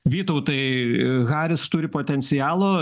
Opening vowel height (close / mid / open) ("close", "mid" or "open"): close